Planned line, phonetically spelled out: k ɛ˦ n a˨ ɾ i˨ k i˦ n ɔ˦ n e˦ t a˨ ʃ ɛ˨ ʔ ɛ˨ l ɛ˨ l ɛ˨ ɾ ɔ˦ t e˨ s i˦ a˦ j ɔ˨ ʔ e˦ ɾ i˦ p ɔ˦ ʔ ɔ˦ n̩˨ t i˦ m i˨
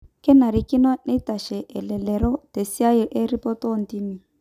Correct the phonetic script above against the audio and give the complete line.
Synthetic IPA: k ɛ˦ n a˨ ɾ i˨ k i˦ n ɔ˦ n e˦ t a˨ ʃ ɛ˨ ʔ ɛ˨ l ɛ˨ l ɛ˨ ɾ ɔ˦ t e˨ s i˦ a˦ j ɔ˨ ʔ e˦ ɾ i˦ p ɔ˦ t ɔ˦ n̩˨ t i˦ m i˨